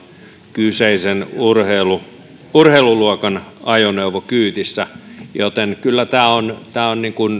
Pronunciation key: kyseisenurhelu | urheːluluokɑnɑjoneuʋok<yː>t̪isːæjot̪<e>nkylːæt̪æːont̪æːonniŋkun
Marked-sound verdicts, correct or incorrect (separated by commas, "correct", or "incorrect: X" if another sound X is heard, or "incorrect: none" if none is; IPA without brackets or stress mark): correct, correct